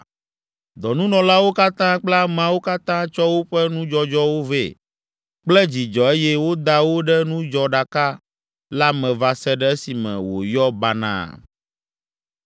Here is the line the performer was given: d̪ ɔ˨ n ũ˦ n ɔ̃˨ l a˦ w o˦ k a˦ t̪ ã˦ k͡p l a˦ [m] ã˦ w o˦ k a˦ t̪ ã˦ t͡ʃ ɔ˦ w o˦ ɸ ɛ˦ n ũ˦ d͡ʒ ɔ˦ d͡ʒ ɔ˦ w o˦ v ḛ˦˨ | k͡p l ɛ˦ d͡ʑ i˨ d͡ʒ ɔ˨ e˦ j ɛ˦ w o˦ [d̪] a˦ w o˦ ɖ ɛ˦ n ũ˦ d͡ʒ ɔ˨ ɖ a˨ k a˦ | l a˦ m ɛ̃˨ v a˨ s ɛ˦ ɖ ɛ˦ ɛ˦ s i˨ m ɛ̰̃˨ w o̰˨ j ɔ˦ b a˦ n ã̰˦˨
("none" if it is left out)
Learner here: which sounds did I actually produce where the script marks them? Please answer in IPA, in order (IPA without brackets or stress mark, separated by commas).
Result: m, d̪